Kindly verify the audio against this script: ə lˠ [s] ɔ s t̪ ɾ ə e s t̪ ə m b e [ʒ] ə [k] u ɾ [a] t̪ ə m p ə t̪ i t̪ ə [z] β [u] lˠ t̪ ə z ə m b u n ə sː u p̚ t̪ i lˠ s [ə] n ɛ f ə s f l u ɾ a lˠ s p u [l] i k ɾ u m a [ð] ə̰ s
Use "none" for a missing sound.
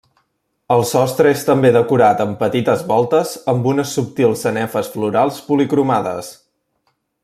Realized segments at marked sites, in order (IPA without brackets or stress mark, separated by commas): s, ð, k, a, z, ɔ, ə, l, ð